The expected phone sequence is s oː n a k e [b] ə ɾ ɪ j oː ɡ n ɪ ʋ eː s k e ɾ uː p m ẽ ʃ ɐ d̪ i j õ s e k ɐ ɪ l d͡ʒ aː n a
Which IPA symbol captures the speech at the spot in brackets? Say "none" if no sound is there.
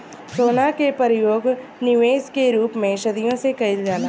p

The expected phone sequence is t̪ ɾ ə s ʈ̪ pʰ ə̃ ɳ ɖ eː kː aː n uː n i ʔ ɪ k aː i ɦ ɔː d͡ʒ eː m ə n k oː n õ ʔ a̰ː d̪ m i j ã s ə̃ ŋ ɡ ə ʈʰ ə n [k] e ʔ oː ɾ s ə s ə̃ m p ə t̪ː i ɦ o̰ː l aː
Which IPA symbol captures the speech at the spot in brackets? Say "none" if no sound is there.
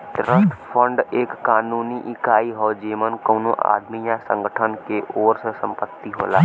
k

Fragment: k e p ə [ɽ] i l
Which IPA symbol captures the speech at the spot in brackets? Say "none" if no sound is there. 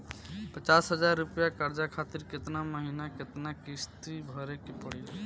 ɽ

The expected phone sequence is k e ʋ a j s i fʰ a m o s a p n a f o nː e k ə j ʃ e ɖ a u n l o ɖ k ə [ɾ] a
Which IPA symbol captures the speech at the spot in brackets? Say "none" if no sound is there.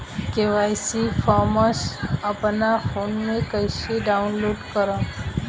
ɾ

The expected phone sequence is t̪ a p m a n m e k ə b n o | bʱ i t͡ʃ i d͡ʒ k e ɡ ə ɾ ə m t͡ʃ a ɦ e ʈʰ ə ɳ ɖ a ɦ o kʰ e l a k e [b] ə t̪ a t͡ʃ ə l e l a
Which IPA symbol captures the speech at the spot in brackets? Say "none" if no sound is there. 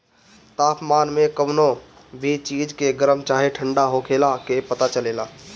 p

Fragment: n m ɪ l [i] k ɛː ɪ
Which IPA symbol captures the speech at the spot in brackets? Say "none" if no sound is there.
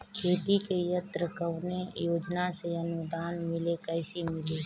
e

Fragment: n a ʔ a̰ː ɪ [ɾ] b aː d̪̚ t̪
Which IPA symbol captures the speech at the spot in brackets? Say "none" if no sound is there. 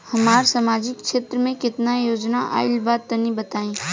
l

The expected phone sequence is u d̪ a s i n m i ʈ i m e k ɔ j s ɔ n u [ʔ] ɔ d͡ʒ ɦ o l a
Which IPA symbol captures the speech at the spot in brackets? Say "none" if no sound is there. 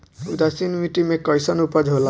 p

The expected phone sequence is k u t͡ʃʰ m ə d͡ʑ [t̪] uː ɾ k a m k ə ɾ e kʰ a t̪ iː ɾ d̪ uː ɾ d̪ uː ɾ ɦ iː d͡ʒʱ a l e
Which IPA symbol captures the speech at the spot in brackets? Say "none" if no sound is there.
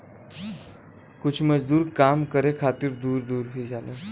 d̪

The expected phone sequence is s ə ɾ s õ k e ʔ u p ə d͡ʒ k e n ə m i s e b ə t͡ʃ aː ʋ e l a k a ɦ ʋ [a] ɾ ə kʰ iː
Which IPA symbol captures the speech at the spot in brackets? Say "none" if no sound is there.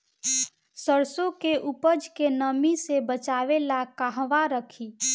a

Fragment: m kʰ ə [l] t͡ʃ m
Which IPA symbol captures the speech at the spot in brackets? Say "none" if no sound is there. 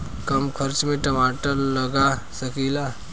ɾ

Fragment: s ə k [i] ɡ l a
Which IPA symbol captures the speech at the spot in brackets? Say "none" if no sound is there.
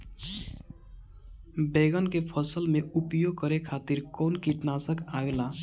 a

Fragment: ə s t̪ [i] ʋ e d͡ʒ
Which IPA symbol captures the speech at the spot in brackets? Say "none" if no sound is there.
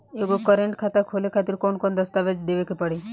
a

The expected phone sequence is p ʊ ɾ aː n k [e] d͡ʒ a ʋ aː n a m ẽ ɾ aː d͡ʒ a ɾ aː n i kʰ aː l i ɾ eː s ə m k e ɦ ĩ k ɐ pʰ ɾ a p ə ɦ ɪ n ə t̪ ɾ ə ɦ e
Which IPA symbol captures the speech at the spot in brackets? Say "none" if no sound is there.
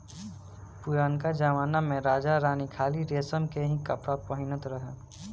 a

